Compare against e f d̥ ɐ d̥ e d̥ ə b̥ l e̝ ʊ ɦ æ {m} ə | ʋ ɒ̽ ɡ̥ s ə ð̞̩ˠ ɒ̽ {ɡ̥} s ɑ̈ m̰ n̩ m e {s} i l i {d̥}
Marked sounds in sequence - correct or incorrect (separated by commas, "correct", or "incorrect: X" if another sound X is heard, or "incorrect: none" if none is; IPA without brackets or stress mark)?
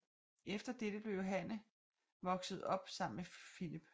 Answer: incorrect: n, incorrect: b̥, incorrect: f, incorrect: b̥